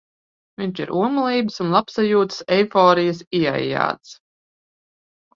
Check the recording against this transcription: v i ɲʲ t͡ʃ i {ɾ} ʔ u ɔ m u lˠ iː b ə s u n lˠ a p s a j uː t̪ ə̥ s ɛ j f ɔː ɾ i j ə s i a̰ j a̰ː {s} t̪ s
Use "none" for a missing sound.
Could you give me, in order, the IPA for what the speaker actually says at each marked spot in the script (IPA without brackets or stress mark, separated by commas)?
ɾ, none